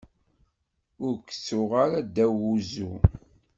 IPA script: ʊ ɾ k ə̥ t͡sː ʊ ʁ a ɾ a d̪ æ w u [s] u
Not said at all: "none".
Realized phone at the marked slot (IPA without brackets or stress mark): z